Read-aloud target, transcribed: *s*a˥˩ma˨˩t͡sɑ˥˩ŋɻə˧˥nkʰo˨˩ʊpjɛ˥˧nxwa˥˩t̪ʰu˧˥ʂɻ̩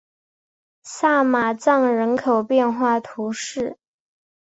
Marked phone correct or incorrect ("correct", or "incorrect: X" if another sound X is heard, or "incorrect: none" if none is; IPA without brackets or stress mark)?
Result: correct